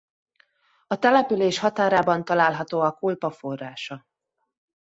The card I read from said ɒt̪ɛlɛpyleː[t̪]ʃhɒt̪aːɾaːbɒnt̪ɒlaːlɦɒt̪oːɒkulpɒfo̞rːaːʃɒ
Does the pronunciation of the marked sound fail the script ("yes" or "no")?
yes